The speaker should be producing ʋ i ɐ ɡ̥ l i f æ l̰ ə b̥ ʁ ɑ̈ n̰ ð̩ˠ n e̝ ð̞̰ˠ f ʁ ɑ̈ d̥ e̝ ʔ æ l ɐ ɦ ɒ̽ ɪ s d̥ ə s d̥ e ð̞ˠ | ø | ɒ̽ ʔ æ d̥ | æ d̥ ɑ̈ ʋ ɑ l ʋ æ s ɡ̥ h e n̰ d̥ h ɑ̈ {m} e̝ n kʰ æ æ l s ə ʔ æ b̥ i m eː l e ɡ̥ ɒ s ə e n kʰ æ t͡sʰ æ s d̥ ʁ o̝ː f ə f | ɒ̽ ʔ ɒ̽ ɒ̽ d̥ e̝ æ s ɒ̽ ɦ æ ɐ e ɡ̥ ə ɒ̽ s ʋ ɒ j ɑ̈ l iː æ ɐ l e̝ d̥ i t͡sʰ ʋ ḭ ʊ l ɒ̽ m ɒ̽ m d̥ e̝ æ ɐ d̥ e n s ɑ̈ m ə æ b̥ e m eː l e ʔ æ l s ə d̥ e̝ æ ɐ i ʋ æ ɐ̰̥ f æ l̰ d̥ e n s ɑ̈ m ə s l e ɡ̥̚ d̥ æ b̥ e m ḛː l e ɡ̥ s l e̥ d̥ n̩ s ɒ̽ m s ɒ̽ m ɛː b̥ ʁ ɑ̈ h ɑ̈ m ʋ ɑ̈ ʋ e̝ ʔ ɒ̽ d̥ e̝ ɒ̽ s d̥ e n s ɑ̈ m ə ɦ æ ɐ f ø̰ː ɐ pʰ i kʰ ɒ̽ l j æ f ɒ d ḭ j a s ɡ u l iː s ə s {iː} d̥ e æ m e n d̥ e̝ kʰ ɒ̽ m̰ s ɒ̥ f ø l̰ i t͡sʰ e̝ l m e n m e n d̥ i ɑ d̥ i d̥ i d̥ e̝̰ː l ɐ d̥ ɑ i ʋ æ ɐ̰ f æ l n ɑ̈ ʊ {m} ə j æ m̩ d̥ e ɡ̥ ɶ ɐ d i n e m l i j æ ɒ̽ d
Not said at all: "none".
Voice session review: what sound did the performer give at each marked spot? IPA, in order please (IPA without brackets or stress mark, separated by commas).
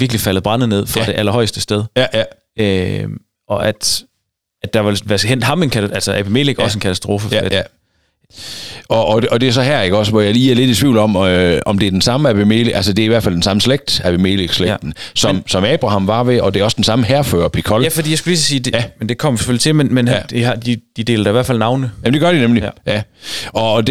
m, iː, n